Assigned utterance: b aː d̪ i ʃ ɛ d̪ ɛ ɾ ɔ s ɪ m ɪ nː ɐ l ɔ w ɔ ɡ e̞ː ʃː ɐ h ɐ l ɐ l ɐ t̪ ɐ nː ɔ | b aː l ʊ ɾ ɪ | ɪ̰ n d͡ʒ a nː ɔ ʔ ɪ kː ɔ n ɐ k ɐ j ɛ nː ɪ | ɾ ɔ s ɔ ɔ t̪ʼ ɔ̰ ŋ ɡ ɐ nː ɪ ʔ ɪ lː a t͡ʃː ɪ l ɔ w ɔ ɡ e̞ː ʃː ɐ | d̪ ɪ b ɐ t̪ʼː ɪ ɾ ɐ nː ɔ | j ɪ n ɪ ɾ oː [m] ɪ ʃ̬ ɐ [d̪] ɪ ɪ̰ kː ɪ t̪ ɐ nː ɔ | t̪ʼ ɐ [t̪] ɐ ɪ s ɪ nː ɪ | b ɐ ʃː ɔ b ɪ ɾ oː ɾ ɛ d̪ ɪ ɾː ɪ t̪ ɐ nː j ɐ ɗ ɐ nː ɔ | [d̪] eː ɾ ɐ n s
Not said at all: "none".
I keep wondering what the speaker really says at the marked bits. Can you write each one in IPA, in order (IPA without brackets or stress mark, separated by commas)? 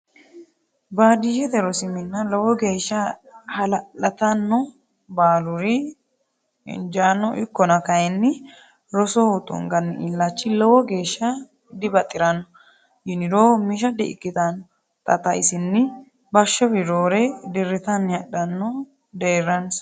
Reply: m, d̪, t̪, d̪